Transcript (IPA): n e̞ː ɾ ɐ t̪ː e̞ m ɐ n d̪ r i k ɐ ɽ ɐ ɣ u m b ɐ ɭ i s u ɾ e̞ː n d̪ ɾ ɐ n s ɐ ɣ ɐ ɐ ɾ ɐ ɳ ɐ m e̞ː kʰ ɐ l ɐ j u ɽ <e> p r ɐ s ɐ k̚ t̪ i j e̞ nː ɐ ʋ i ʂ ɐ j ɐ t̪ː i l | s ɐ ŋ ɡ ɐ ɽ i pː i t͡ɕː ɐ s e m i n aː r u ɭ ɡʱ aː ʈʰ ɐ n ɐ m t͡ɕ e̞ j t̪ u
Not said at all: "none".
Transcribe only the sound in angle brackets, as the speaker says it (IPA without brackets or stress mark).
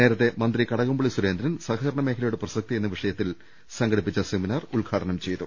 e